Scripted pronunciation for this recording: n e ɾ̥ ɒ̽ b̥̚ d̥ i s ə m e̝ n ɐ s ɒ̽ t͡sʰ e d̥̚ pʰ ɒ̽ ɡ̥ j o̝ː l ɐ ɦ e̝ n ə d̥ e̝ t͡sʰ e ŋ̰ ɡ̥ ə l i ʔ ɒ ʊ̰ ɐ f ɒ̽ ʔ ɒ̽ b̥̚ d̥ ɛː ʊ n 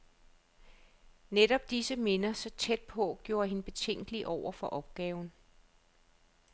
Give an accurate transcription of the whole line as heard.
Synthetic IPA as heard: n e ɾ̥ ɒ̽ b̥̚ d̥ i s ə m e̝ n ɐ s ɒ̽ t͡sʰ e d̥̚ pʰ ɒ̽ ɡ̥ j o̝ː ɐ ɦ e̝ n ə b̥ e̝ t͡sʰ e ŋ̰ ɡ̥ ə l i ʔ ɒ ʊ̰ ɐ f ɒ̽ ʔ ɒ̽ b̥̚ ɡ̥ ɛː ʊ n